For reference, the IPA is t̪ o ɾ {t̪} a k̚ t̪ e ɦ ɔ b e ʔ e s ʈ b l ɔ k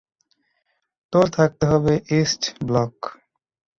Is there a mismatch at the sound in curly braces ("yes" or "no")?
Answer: yes